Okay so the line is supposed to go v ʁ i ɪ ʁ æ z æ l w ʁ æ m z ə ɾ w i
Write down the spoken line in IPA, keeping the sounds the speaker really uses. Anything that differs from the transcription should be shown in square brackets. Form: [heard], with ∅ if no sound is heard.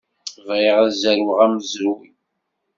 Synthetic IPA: v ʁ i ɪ ʁ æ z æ [ɾ] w ʁ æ m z ə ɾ w i